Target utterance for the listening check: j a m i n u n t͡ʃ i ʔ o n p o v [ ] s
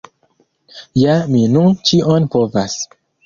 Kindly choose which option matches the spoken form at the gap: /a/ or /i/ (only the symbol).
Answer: a